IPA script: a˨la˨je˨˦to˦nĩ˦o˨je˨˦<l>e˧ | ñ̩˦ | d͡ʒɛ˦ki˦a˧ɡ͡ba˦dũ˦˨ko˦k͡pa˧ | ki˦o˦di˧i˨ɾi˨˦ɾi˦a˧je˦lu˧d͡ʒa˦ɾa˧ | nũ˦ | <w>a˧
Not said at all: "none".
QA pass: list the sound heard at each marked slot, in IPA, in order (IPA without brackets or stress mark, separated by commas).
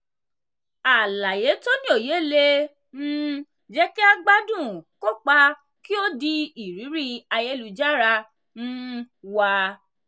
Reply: l, w